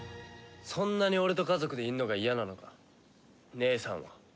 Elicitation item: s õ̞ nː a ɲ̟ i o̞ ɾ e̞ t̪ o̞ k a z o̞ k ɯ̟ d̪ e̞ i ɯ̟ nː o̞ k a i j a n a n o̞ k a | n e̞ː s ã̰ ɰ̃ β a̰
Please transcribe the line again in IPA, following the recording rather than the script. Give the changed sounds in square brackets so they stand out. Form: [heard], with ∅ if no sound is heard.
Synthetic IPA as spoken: s õ̞ nː a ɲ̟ i o̞ ɾ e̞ t̪ o̞ k a z o̞ k ɯ̟ d̪ e̞ i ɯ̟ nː o̞ [ɡ] a i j a n a n o̞ k a | n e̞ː s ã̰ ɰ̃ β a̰